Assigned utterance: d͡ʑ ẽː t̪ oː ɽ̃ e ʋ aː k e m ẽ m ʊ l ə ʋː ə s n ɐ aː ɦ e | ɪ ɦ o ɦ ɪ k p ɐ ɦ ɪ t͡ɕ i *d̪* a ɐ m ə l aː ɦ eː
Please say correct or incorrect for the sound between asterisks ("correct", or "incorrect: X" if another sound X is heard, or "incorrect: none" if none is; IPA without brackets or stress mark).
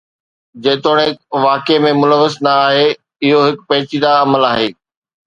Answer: correct